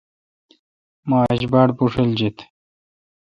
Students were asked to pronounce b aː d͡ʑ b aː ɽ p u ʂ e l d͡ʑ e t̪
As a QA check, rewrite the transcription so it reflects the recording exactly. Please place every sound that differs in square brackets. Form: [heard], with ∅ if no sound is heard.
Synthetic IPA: [m] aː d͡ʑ b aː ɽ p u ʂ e l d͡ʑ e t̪